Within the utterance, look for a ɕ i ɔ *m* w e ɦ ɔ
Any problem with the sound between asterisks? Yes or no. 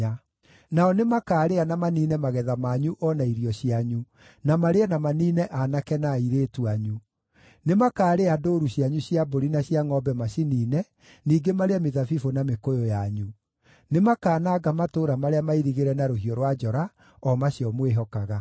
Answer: no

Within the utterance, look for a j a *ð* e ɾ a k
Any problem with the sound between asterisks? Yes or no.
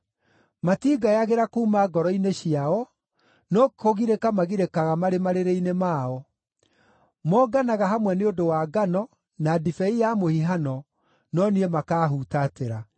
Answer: yes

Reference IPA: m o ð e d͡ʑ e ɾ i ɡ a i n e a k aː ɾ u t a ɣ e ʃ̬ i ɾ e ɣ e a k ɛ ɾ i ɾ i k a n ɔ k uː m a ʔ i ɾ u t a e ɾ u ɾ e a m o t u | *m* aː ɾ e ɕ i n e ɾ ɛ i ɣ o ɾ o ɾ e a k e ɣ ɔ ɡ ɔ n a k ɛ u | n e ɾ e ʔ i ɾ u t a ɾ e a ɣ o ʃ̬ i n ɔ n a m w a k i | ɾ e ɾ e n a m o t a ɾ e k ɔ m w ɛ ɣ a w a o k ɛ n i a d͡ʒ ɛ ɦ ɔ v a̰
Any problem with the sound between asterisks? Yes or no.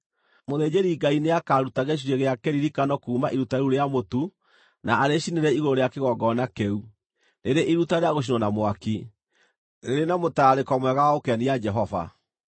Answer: yes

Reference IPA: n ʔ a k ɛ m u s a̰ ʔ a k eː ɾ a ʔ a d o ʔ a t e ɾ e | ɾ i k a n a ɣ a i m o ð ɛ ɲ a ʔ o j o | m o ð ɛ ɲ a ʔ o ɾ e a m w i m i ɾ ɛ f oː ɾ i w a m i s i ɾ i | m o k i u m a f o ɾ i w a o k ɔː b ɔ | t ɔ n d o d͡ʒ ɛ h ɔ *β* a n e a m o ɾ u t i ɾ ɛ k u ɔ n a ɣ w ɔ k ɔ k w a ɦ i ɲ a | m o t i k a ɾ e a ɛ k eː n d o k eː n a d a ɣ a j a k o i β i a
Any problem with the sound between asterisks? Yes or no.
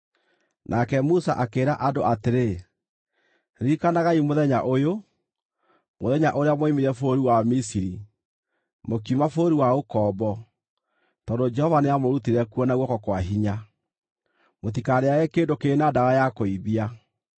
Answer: yes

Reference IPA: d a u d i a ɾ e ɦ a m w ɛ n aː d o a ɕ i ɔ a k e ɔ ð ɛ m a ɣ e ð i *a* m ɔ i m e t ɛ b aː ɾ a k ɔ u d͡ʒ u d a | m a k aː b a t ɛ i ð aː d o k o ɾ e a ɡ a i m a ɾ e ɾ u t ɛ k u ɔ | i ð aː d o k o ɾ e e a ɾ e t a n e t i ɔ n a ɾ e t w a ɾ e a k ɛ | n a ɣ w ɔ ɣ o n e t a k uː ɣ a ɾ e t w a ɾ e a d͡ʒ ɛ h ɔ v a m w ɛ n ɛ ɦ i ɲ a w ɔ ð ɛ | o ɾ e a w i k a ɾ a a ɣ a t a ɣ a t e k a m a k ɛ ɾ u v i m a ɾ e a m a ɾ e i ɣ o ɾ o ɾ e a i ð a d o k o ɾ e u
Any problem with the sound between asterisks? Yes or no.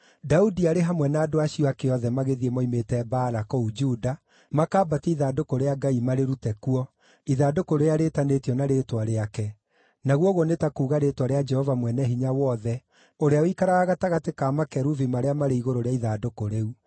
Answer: yes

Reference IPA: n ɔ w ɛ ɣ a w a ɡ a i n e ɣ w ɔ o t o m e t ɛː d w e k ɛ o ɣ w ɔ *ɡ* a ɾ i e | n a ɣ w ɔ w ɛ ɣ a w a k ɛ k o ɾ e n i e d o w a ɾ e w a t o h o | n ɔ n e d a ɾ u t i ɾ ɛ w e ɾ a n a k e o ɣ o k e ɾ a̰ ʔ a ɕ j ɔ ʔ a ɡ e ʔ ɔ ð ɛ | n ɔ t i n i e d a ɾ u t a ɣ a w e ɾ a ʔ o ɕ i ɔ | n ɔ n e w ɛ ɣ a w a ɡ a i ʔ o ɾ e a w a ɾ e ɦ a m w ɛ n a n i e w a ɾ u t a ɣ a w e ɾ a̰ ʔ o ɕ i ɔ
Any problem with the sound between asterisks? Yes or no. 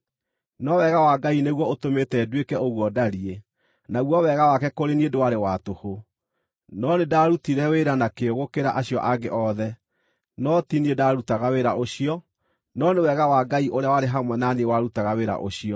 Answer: yes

